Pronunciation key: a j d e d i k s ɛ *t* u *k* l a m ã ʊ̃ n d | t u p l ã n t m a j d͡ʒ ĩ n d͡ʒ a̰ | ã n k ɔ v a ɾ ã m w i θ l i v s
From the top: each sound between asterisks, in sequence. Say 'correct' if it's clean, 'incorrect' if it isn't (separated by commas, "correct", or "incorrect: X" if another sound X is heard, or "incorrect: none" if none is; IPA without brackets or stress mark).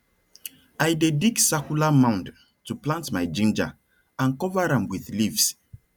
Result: incorrect: k, incorrect: none